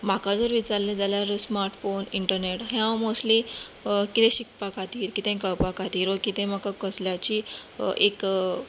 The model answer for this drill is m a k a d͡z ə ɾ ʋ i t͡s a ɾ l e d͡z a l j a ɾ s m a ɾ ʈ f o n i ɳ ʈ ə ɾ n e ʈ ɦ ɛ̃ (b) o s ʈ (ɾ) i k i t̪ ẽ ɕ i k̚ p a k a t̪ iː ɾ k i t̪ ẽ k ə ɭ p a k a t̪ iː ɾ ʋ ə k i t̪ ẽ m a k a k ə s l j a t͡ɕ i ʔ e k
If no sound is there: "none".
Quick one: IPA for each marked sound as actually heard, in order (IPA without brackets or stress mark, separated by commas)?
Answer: m, l